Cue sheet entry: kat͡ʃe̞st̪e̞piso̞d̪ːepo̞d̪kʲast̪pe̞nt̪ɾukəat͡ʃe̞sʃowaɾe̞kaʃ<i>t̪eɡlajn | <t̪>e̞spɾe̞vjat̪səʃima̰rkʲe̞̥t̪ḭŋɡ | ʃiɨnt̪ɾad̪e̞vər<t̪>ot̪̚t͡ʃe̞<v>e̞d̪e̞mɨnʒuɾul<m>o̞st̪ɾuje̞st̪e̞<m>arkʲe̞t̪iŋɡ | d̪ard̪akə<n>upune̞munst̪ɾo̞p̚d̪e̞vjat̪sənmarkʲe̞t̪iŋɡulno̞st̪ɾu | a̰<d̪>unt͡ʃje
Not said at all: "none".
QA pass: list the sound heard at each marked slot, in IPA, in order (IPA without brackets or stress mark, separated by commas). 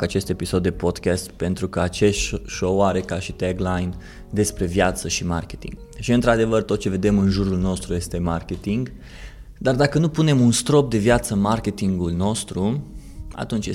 i, d̪, t̪, v, n, m, n, t̪